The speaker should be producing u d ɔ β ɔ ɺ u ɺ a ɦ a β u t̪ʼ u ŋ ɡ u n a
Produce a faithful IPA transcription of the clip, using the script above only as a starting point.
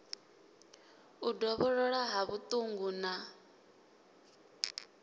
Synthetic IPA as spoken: u d ɔ β ɔ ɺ ɔ ɺ a ɦ a β u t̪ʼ u ŋ ɡ u n a